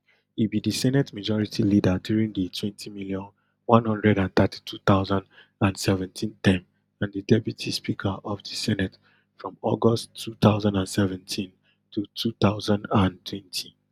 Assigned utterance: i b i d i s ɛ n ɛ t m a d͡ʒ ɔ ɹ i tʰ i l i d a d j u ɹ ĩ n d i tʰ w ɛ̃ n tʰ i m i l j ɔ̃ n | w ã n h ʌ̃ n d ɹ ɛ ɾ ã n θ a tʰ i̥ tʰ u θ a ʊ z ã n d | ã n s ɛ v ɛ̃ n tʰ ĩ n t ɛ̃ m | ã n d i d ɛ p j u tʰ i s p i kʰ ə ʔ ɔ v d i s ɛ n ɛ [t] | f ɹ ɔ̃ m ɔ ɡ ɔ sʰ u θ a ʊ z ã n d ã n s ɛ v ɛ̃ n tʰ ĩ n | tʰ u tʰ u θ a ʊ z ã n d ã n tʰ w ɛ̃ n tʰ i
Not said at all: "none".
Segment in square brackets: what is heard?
t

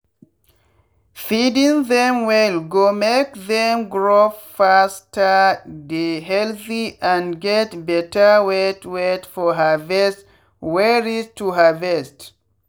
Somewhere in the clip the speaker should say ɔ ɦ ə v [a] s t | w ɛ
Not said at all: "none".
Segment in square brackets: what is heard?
ɛ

